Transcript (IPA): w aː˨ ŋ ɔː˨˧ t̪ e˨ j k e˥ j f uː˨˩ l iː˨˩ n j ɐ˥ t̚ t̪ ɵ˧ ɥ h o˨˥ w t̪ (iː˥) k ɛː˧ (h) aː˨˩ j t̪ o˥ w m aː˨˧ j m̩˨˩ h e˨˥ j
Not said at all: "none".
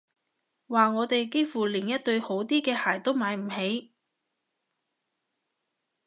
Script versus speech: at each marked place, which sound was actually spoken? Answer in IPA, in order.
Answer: iː˥, h

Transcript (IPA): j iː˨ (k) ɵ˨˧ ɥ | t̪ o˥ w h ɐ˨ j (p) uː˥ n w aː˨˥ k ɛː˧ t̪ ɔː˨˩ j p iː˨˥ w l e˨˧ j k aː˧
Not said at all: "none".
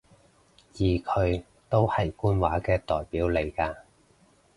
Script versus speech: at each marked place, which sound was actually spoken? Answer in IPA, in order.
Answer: kʰ, k

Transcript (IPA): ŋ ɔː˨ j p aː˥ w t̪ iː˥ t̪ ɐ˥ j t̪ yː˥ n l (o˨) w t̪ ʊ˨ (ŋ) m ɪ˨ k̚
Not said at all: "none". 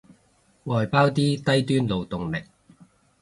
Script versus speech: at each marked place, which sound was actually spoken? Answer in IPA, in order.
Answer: o˨, ŋ

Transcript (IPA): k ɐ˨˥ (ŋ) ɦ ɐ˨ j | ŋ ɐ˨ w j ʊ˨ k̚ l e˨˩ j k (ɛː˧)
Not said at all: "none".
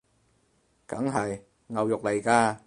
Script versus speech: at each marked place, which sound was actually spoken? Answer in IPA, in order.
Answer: ŋ, aː˧

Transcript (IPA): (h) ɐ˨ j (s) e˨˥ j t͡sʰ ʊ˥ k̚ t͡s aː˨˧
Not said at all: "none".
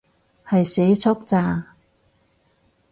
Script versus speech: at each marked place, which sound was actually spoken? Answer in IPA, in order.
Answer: h, s

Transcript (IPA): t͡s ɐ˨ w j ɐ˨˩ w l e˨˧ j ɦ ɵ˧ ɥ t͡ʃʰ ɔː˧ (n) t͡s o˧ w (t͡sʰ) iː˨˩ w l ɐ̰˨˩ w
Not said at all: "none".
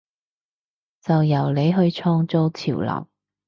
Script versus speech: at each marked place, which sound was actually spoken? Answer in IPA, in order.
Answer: ŋ, t͡sʰ

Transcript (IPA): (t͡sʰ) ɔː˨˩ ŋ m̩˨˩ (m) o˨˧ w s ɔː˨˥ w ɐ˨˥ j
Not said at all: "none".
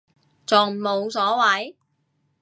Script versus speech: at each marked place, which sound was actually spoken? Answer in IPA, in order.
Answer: t͡s, m

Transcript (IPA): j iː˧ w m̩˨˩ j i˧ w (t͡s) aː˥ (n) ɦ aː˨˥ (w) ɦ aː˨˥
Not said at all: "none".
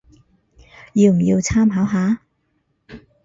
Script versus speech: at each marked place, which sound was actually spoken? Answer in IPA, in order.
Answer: t͡sʰ, m, w

